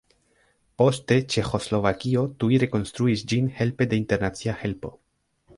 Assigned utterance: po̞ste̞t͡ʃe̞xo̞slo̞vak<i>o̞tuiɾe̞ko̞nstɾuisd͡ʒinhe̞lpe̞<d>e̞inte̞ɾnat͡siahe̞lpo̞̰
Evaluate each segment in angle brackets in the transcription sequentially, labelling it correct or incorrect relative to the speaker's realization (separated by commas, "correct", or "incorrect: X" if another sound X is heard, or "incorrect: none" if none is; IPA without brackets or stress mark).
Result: correct, correct